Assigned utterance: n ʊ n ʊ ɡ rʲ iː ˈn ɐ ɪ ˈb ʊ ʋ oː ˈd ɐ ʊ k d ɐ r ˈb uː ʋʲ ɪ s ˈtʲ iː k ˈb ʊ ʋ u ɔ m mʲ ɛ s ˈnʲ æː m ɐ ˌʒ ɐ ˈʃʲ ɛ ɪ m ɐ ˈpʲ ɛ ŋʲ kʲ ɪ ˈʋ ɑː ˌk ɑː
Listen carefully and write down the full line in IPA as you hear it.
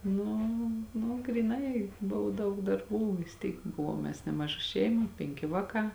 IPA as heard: n ʊ n ʊ ɡ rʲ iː ˈn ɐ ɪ ˈb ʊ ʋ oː ˈd ɐ ʊ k d ɐ r ˈb uː ʋʲ ɪ s ˈtʲ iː k ˈb ʊ ʋ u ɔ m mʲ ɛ s ˈnʲ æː m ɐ ˌʒ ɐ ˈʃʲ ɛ ɪ m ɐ ˈpʲ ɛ ŋʲ kʲ ɪ ˈʋ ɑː ˌk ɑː

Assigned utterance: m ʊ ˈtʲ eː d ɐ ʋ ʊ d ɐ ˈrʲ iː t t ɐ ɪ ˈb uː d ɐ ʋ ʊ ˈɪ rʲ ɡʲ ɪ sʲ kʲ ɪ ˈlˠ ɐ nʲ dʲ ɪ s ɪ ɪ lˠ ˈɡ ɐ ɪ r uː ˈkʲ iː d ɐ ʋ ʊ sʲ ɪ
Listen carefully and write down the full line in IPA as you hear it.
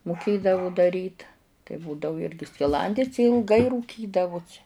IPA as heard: m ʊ ˈkʲ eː d ɐ ʋ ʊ d ɐ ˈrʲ iː t t ɐ ɪ ˈb uː d ɐ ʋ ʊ ˈɪ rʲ ɡʲ ɪ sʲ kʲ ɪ ˈlˠ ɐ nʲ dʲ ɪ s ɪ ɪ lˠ ˈɡ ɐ ɪ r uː ˈkʲ iː d ɐ ʋ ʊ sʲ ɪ

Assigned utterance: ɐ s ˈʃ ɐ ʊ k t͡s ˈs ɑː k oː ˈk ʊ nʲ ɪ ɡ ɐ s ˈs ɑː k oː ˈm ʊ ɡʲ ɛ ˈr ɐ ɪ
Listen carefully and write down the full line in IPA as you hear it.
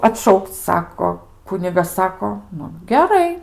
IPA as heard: ɐ t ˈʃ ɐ ʊ k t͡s ˈs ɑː k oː ˈk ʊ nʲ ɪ ɡ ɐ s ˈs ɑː k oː ˈn ʊ ɡʲ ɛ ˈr ɐ ɪ

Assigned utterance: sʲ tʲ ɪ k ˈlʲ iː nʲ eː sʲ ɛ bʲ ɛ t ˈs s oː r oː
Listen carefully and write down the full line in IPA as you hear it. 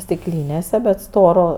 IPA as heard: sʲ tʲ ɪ k ˈlʲ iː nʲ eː sʲ ɛ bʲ ɛ t ˈs t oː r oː

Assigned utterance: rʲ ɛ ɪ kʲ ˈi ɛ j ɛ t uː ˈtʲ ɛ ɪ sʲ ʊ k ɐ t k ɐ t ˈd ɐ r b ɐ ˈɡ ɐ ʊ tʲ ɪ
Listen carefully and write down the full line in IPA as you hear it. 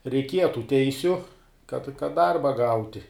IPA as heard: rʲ ɛ ɪ kʲ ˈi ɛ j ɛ t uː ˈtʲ ɛ ɪ sʲ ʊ k ɐ t k ɐ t ˈd ɐ r b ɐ ˈɡ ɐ ʊ tʲ ɪ

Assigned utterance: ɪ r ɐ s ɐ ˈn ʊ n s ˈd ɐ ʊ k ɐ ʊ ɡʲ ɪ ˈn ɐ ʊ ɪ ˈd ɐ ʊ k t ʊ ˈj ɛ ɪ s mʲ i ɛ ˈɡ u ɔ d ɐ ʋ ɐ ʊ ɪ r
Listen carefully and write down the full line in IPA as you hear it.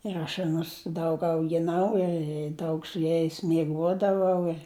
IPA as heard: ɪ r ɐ ʃ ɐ ˈn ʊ s ˈd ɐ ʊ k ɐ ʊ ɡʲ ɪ ˈn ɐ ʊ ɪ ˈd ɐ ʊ k s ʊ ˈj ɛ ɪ s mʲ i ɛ ˈɡ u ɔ d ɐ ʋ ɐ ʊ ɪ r

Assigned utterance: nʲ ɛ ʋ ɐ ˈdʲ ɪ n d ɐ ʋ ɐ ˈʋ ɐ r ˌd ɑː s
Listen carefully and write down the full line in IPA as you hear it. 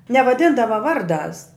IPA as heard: nʲ ɛ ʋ ɐ ˈdʲ ɪ n d ɐ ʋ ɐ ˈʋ ɐ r ˌd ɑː s

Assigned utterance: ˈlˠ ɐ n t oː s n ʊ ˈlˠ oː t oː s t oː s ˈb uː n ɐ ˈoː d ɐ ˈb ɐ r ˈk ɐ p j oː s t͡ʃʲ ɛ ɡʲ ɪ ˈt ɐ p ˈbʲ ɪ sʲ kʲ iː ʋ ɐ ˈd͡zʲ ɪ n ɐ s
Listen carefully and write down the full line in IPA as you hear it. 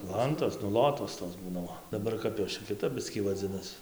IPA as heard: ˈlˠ ɐ n t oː s n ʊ ˈlˠ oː t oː s t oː s ˈb uː n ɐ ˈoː d ɐ ˈb ɐ r ˈk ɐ p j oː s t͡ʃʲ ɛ kʲ ɪ ˈt ɐ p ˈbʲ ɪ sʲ kʲ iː ʋ ɐ ˈd͡zʲ ɪ n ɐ s

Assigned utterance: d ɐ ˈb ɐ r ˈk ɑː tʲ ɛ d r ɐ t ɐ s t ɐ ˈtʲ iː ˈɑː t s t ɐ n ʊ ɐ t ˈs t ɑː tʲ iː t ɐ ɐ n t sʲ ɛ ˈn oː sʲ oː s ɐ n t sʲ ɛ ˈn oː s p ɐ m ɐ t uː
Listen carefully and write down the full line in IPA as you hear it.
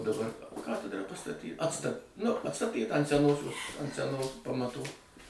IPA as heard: d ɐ ˈb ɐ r ˈk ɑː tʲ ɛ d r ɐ p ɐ s t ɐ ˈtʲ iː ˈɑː t s t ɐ n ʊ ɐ t ˈs t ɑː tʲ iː t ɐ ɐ n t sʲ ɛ ˈn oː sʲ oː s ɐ n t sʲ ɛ ˈn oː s p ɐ m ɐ t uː

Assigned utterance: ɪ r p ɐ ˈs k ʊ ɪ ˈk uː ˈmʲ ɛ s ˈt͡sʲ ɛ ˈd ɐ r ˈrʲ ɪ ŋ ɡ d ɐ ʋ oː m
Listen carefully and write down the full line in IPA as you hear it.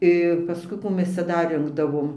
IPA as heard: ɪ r p ɐ ˈs k ʊ ɪ ˈk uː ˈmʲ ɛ s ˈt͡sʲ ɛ ˈd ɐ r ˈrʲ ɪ ŋ ɡ d ɐ ʋ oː m

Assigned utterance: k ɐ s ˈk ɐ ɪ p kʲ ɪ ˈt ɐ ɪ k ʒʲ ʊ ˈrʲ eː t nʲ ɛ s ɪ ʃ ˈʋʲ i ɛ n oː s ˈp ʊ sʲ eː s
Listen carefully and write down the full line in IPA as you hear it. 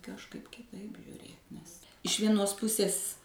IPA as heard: k ɐ ʃ ˈk ɐ ɪ p kʲ ɪ ˈt ɐ ɪ p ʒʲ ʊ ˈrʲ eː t nʲ ɛ s ɪ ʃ ˈʋʲ i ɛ n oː s ˈp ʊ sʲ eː s

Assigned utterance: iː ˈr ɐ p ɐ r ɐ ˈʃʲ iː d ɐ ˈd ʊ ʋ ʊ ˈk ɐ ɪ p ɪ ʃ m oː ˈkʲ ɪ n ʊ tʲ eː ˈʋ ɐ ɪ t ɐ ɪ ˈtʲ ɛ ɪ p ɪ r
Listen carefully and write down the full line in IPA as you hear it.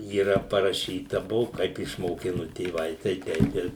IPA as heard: iː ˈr ɐ p ɐ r ɐ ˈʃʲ iː t ɐ ˈb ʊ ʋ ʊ ˈk ɐ ɪ p ɪ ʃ m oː ˈkʲ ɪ n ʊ tʲ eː ˈʋ ɐ ɪ t ɐ ɪ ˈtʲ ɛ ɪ p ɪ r

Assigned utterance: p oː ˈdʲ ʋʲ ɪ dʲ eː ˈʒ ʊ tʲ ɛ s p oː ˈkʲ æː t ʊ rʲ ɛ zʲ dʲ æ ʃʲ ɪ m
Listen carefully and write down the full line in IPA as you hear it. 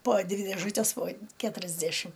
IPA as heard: p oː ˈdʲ ʋʲ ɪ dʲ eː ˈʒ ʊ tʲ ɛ s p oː ˈkʲ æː t ʊ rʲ ɛ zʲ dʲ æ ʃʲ ɪ m

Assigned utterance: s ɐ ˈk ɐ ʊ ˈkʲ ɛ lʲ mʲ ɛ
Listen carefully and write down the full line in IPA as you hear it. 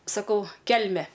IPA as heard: s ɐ ˈk ɐ ʊ ˈkʲ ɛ lʲ mʲ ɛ

